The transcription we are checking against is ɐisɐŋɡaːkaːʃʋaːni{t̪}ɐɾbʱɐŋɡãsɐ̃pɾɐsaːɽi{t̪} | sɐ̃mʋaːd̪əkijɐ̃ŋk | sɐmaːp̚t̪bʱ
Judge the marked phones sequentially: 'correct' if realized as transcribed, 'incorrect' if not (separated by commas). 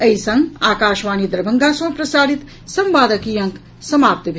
incorrect, correct